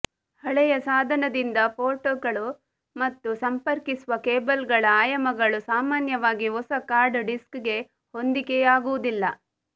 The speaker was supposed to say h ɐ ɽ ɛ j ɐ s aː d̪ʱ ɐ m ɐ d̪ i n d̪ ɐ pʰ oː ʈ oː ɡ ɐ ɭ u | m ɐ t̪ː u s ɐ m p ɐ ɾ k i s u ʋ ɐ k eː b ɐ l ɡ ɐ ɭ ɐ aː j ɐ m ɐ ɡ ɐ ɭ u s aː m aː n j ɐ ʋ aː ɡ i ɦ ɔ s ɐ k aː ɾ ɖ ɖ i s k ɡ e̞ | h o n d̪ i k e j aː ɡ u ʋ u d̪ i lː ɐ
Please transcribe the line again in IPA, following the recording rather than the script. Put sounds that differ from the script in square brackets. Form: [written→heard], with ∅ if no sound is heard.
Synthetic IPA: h ɐ [ɽ→ɭ] ɛ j ɐ s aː d̪ʱ ɐ [m→n] ɐ d̪ i n d̪ ɐ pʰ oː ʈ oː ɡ ɐ ɭ u | m ɐ t̪ː u s ɐ m p ɐ ɾ k i s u ʋ ɐ k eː b ɐ l ɡ ɐ ɭ ɐ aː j ɐ m ɐ ɡ ɐ ɭ u s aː m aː n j ɐ ʋ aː ɡ i ɦ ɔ s ɐ k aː ɾ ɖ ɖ i s k ɡ e̞ | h o n d̪ i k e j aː ɡ u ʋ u d̪ i lː ɐ